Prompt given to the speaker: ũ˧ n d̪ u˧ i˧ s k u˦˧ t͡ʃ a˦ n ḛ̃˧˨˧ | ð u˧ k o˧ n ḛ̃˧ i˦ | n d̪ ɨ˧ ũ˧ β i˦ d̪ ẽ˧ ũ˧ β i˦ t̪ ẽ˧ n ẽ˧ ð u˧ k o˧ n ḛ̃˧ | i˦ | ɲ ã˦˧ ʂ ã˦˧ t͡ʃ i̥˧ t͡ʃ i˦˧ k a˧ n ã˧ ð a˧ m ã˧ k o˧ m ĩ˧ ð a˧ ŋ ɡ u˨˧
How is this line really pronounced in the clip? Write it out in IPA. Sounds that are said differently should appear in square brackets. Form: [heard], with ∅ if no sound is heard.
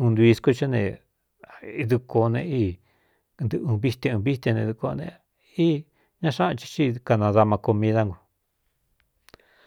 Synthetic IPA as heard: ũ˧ n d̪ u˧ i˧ s k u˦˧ t͡ʃ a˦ n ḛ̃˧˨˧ | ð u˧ k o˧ n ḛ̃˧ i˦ | n d̪ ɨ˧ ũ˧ β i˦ [t̪] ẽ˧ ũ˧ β i˦ t̪ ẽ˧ n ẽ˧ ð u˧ k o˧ n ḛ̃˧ | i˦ | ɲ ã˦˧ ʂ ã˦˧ t͡ʃ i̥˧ t͡ʃ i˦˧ k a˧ n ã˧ ð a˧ m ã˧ k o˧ m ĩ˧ ð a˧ ŋ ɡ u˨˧